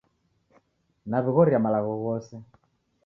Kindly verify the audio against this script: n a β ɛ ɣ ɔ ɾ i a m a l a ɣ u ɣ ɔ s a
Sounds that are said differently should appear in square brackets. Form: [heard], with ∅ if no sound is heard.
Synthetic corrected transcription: n a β [i] ɣ ɔ ɾ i a m a l a ɣ [ɔ] ɣ ɔ s [ɛ]